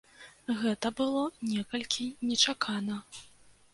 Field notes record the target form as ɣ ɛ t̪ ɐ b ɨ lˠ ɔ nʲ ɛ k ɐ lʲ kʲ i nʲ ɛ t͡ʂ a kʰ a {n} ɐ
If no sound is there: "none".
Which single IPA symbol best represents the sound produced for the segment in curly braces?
n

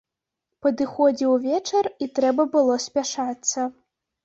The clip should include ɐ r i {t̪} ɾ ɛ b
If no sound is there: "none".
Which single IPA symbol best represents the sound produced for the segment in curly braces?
t̪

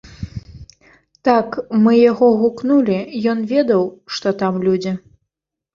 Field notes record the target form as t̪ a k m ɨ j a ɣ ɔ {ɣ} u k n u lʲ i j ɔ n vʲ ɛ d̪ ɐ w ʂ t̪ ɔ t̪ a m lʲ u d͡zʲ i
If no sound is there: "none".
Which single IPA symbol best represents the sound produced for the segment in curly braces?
ɣ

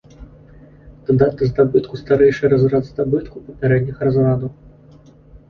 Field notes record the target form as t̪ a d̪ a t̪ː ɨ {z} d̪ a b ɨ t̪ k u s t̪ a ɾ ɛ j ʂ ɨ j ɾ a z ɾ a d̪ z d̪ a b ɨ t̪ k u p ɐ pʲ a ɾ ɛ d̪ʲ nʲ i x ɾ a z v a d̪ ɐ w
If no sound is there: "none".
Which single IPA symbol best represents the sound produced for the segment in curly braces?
z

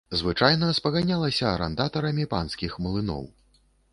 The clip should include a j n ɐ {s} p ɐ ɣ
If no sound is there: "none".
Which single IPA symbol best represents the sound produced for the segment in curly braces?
s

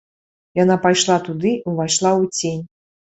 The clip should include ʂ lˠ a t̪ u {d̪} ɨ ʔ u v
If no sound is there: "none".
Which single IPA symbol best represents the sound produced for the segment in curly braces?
d̪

